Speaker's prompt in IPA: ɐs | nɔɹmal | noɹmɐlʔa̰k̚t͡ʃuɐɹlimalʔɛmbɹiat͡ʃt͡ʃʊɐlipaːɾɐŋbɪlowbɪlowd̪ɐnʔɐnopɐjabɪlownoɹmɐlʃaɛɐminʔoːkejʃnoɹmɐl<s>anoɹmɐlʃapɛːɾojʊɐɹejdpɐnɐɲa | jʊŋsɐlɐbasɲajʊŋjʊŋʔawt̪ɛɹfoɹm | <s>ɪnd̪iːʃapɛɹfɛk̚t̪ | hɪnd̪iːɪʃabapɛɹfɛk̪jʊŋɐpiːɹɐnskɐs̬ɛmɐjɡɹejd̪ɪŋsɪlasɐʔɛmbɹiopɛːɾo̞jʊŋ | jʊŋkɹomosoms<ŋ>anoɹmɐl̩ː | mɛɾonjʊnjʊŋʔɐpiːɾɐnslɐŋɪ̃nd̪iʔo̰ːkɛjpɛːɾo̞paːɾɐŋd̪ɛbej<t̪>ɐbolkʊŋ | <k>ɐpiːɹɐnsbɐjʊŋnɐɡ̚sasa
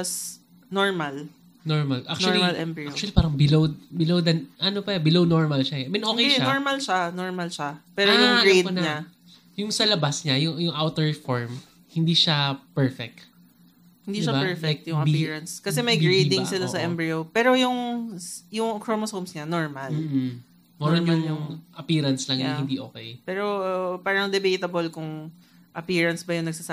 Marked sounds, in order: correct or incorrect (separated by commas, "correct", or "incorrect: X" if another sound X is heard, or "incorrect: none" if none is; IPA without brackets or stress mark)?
incorrect: ʃ, incorrect: h, incorrect: ɲ, correct, incorrect: ʔ